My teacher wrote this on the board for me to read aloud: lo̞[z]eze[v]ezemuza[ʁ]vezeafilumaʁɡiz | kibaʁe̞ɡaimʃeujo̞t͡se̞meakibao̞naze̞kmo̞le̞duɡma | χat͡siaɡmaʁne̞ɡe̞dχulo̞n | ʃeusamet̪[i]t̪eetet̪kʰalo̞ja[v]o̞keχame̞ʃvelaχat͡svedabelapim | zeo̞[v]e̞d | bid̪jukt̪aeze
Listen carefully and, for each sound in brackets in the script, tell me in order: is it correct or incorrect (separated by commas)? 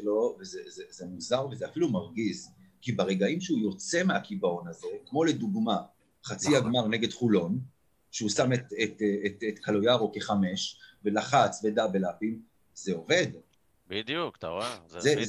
incorrect, incorrect, correct, incorrect, incorrect, correct